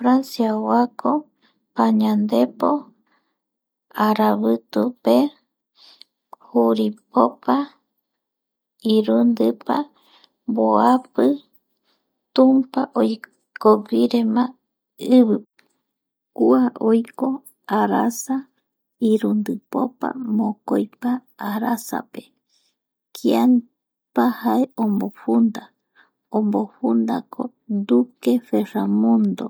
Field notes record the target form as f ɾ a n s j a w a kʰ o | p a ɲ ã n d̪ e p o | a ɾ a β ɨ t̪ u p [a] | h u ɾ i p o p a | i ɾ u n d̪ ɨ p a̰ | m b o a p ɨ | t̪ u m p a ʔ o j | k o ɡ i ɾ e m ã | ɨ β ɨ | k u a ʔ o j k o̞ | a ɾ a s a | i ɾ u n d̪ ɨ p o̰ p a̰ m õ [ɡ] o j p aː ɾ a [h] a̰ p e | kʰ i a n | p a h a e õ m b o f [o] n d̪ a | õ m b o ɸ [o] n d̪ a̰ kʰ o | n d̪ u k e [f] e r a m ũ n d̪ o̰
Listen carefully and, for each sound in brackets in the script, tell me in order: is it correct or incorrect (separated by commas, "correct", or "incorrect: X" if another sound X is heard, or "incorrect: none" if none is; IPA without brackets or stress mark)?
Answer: incorrect: e, incorrect: k, incorrect: s, incorrect: u, incorrect: u, correct